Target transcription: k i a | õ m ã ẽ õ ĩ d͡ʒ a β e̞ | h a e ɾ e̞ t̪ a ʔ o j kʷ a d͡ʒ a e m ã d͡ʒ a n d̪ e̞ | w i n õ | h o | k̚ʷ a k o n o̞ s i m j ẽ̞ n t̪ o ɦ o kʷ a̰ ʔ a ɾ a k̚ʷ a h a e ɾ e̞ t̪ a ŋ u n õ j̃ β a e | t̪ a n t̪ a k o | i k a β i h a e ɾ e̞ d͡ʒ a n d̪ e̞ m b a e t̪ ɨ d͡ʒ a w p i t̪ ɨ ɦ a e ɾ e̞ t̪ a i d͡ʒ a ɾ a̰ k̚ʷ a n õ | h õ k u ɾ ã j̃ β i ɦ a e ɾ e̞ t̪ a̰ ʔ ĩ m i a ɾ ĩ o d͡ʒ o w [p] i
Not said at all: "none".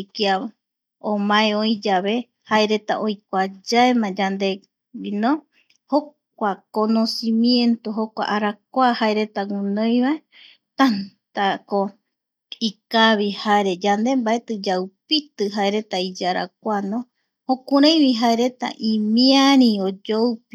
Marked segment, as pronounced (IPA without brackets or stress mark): p